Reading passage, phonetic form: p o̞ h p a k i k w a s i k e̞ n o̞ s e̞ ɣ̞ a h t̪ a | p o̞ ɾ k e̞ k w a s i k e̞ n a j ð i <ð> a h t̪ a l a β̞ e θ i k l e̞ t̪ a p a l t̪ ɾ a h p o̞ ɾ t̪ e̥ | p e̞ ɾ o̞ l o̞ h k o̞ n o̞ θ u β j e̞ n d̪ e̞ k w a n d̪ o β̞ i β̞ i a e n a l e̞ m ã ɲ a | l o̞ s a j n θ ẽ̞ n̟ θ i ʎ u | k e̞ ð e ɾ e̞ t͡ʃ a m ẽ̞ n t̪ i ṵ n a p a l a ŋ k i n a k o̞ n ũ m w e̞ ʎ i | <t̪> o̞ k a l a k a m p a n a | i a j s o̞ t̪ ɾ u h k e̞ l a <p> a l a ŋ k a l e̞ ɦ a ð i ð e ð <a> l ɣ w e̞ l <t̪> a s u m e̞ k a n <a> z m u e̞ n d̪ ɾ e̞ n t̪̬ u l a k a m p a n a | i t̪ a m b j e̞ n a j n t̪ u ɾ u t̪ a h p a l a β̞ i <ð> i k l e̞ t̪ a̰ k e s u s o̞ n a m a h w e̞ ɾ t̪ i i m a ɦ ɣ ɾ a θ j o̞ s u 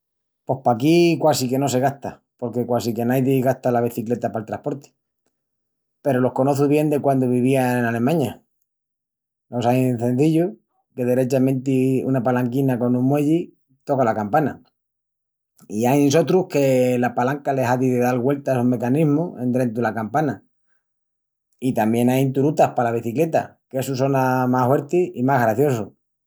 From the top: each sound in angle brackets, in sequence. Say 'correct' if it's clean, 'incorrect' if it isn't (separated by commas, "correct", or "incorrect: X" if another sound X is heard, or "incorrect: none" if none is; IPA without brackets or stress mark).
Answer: incorrect: ɣ, correct, correct, correct, correct, incorrect: i, incorrect: θ